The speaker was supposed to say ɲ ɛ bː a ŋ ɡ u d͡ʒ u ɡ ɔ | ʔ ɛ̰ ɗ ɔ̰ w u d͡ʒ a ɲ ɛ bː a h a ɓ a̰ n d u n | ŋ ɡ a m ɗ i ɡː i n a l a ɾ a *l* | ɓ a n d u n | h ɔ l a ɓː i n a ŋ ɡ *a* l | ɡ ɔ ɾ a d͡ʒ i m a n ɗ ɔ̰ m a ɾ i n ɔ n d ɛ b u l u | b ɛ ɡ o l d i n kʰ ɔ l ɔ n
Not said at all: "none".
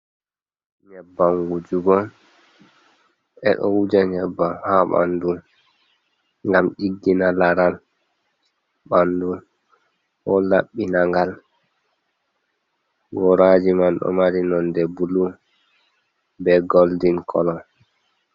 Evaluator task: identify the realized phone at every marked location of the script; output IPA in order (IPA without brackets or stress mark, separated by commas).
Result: l, a